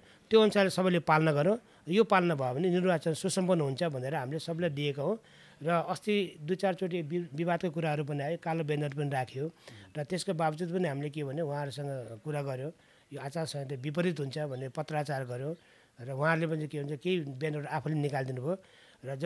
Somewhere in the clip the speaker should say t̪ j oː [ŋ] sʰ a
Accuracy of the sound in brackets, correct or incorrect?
incorrect